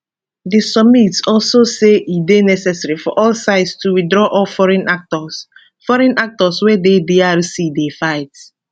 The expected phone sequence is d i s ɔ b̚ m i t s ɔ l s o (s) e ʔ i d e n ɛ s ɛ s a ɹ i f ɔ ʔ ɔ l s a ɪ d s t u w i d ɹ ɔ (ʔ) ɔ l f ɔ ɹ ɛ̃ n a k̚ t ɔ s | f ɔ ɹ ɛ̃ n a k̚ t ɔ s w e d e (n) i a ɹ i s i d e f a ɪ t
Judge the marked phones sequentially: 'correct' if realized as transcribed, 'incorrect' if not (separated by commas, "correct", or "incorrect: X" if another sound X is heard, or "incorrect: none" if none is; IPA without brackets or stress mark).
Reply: correct, correct, incorrect: d